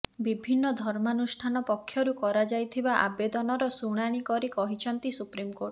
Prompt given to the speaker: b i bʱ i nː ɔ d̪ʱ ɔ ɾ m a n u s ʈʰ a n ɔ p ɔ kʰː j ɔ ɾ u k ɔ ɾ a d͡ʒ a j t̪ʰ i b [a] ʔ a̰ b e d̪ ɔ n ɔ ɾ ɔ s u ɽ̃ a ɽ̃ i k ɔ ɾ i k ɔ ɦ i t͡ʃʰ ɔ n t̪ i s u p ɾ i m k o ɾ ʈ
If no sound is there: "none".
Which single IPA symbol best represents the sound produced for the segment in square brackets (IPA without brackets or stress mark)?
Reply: a